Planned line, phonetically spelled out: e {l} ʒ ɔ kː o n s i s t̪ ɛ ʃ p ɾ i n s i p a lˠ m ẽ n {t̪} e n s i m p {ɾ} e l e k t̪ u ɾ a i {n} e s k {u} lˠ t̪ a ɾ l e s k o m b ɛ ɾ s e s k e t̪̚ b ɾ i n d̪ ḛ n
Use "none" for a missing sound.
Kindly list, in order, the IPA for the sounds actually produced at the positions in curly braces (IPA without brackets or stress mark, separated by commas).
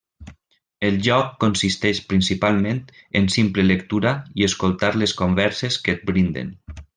l, t̪, l, none, o